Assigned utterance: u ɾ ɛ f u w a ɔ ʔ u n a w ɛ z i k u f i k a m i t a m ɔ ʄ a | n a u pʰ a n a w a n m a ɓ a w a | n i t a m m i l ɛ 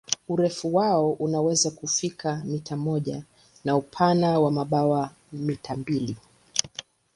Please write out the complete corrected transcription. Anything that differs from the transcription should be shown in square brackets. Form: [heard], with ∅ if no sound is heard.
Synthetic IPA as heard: u ɾ ɛ f u w a ɔ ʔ u n a w ɛ z [a] k u f i k a m i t a m ɔ ʄ a | n a u pʰ a n a w a [∅] m a ɓ a w a | [m] i t a m [b] i l [i]